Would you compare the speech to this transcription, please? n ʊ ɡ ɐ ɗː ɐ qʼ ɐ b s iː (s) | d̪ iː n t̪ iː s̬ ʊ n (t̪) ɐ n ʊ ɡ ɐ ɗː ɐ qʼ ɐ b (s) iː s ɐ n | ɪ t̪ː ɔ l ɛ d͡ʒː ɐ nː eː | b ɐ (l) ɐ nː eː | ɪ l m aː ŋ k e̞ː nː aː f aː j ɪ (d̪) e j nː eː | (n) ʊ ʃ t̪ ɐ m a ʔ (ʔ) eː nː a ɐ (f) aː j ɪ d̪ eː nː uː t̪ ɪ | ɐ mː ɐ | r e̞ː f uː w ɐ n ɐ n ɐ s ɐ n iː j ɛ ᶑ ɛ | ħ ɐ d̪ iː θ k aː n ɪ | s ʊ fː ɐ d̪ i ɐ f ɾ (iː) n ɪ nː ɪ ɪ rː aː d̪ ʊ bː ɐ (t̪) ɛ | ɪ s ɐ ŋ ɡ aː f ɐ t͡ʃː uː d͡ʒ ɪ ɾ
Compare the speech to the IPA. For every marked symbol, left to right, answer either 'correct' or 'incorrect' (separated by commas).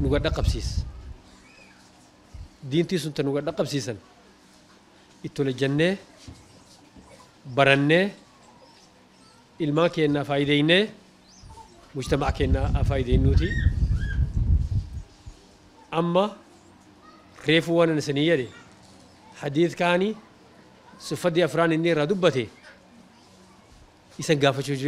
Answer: correct, correct, correct, incorrect, correct, incorrect, incorrect, correct, incorrect, correct